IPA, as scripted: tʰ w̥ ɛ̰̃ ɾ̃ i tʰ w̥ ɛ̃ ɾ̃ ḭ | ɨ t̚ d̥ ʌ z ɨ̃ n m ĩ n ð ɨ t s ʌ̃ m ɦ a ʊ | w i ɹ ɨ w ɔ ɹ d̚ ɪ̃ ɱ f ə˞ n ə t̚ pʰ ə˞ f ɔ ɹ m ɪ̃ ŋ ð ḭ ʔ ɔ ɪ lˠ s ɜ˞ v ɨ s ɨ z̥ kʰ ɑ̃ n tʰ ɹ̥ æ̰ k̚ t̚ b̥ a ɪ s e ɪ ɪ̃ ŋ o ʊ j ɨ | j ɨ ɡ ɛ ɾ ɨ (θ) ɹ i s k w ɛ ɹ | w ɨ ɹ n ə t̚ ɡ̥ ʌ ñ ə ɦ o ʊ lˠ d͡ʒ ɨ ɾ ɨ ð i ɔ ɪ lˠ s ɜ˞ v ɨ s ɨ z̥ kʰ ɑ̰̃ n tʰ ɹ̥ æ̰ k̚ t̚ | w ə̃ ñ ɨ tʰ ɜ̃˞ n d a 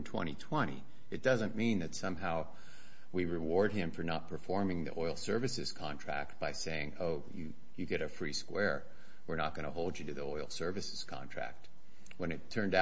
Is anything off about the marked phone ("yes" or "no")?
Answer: yes